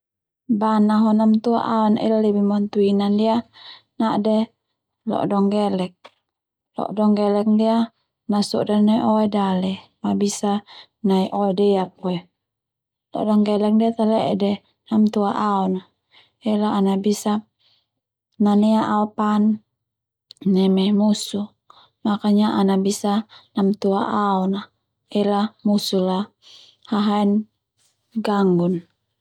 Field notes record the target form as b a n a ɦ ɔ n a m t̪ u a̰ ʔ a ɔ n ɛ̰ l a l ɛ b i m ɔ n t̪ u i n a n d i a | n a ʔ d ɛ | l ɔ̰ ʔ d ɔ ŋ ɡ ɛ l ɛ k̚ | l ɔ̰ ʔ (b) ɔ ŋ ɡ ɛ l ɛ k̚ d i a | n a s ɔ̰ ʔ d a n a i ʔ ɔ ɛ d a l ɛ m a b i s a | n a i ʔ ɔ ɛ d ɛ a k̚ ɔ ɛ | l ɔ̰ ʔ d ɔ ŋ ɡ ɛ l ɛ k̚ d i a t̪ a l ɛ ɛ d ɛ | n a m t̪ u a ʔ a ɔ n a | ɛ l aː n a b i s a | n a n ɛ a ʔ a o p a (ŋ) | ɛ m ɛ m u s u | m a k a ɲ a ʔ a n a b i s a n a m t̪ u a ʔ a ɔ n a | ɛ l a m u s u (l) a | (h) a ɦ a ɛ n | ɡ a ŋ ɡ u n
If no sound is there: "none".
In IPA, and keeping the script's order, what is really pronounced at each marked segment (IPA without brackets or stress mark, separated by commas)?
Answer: d, n, l, h